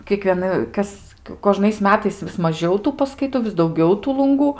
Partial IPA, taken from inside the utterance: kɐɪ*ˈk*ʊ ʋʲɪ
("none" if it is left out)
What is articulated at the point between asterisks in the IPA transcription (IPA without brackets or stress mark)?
t